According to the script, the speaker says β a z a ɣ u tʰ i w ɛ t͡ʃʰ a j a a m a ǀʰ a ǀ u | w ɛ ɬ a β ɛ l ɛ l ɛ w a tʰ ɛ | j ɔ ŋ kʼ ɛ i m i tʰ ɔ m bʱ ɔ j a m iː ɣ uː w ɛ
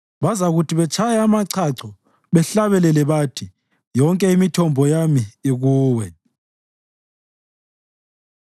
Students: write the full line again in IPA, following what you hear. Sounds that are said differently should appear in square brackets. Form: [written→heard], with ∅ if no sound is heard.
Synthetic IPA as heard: β a z a ɣ u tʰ i [w→β] ɛ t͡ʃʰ a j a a m a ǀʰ a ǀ [u→ɔ] | [w→β] ɛ ɬ a β ɛ l ɛ l ɛ [w→β] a tʰ [ɛ→i] | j ɔ ŋ kʼ ɛ i m i tʰ ɔ m bʱ ɔ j a m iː ɣ uː w ɛ

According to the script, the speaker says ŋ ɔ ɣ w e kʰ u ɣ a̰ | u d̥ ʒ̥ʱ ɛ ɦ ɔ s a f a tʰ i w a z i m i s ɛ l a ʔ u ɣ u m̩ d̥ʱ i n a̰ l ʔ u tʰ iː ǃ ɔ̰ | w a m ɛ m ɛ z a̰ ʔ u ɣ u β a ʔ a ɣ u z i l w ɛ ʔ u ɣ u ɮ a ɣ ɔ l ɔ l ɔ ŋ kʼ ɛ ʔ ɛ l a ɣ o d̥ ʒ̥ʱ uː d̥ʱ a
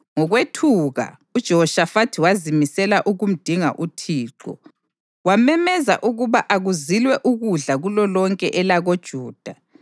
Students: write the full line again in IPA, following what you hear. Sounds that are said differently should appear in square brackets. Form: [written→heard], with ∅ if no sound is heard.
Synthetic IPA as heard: ŋ ɔ ɣ w e [kʰ→tʰ] u ɣ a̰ | u d̥ ʒ̥ʱ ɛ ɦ ɔ [s→ʃ] a f a tʰ i w a z i m i s ɛ l a ʔ u ɣ u m̩ d̥ʱ i [n→ŋ] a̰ [l→∅] ʔ u tʰ iː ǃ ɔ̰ | w a m ɛ m ɛ z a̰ ʔ u ɣ u β a ʔ a ɣ u z i l w ɛ ʔ u ɣ u ɮ a ɣ [ɔ→u] l ɔ l ɔ ŋ kʼ ɛ ʔ ɛ l a ɣ o d̥ ʒ̥ʱ uː d̥ʱ a

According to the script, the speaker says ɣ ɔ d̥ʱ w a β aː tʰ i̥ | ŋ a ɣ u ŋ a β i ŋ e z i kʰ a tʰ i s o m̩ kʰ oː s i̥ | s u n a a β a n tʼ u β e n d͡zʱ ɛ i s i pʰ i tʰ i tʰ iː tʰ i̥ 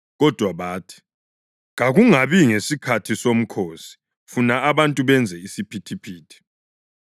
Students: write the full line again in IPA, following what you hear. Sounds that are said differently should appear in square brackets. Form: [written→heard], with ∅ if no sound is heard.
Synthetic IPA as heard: ɣ ɔ d̥ʱ w a β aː tʰ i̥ | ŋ a ɣ u ŋ a β i ŋ e [z→s] i kʰ a tʰ i s o m̩ kʰ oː s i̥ | [s→f] u n a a β a n tʼ u β [e→ɛ] n d͡zʱ ɛ i s i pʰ i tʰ i [tʰ→pʰ] iː tʰ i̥

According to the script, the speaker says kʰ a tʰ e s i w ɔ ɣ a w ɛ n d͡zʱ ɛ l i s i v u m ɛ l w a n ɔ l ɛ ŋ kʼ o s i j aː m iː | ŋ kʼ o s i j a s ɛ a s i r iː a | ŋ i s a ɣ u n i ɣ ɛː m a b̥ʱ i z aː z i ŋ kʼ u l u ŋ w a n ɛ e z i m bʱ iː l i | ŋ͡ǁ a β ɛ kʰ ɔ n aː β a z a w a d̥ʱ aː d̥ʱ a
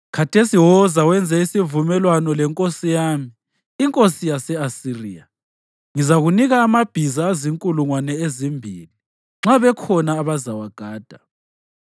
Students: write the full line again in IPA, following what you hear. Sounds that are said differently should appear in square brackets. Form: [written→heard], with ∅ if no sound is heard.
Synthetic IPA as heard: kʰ a tʰ e s i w ɔ [ɣ→z] a w ɛ n d͡zʱ ɛ [l→∅] i s i v u m ɛ l w a n ɔ l ɛ ŋ kʼ o s i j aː m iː | ŋ kʼ o s i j a s ɛ a s i r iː a | ŋ i [s→z] a ɣ u n i ɣ [ɛː→aː] m a b̥ʱ i z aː z i ŋ kʼ u l u ŋ w a n ɛ e z i m bʱ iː l i | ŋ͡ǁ a β ɛ kʰ ɔ n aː β a z a w a [d̥ʱ→ɡ̥ʱ] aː d̥ʱ a

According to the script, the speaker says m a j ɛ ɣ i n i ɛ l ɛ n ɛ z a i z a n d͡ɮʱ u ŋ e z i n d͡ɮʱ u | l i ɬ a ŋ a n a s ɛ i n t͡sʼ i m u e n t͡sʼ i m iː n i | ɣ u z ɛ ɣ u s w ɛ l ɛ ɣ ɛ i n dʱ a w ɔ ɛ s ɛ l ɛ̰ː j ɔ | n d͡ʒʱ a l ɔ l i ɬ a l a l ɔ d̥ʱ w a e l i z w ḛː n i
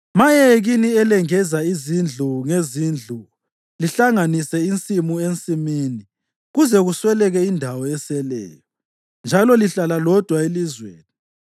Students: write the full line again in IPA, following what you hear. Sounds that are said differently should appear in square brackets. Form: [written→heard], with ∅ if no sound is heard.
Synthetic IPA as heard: m a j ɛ ɣ i n i ɛ l ɛ [n→ŋ] ɛ z a i z [a→i] n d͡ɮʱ u ŋ e z i n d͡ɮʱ u | l i ɬ a ŋ a n [a→i] s ɛ i n t͡sʼ i m u e n t͡sʼ i m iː n i | ɣ u z ɛ ɣ u s w ɛ l ɛ ɣ ɛ i n dʱ a w ɔ ɛ s ɛ l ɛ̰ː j ɔ | n d͡ʒʱ a l ɔ l i ɬ a l a l ɔ d̥ʱ w a e l i z w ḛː n i

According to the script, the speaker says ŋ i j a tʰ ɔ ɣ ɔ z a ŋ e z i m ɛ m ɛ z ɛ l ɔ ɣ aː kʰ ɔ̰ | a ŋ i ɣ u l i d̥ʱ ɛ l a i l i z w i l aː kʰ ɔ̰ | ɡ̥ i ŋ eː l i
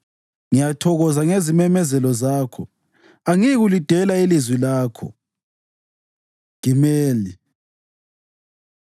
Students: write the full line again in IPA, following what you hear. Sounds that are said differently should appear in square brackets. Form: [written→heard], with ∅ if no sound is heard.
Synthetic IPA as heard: ŋ i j a tʰ ɔ ɣ ɔ z a ŋ e z i m ɛ m ɛ z ɛ l ɔ [ɣ→z] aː kʰ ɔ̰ | a ŋ i ɣ u l i d̥ʱ ɛ l a i l i z w i l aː kʰ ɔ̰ | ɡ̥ i [ŋ→m] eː l i

